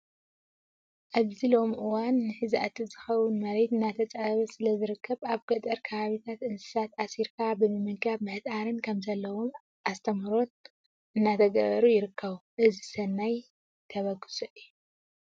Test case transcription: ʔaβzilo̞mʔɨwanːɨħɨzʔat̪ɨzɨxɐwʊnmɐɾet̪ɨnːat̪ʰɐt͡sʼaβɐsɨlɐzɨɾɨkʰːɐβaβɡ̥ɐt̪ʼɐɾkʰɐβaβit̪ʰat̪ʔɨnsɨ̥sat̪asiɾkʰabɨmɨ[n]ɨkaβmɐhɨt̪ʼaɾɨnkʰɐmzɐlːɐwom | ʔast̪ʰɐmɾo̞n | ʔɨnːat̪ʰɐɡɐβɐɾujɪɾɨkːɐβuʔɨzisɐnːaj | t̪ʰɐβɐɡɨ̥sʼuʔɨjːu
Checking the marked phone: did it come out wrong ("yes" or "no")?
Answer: yes